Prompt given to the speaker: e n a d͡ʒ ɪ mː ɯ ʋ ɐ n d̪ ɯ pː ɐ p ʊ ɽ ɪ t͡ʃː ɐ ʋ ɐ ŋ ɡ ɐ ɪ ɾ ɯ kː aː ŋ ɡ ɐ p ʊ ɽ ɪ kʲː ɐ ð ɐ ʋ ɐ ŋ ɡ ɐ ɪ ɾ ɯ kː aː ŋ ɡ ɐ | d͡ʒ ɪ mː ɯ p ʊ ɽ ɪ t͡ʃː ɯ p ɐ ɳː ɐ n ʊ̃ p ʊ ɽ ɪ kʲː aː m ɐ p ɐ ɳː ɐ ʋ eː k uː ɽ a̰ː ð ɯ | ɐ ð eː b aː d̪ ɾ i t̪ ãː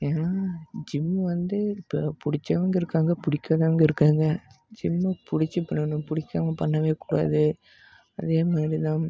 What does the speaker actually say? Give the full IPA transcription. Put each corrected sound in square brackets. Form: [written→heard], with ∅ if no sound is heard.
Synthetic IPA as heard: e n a d͡ʒ ɪ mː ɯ ʋ ɐ n d̪ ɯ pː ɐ p ʊ ɽ ɪ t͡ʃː ɐ ʋ ɐ ŋ ɡ ɐ ɪ ɾ ɯ kː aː ŋ ɡ ɐ p ʊ ɽ ɪ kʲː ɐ ð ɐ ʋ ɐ ŋ ɡ ɐ ɪ ɾ ɯ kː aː ŋ ɡ ɐ | d͡ʒ ɪ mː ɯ p ʊ ɽ ɪ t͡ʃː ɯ p ɐ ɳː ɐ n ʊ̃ p ʊ ɽ ɪ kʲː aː m ɐ p ɐ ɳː ɐ ʋ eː k uː ɽ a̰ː ð ɯ | ɐ ð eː [b→m] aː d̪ ɾ i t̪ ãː